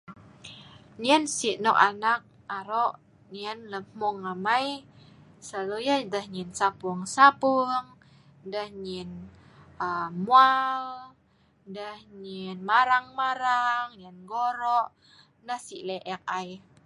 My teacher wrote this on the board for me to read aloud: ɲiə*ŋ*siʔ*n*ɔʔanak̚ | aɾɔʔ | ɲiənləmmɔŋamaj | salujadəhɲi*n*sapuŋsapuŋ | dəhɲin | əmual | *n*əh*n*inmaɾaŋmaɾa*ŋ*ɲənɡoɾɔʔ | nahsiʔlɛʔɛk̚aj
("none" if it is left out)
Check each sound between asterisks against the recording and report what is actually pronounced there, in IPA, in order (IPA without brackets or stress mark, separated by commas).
n, n, n, d, ɲ, ŋ